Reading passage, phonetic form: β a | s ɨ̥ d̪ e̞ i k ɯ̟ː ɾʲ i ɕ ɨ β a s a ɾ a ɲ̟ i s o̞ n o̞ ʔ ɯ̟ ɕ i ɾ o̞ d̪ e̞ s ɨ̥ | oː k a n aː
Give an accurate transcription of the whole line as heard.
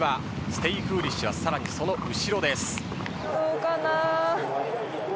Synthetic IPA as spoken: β a | s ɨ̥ t̪ e̞ i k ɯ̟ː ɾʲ i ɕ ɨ β a s a ɾ a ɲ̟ i s o̞ n o̞ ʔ ɯ̟ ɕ i ɾ o̞ d̪ e̞ s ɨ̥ | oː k a n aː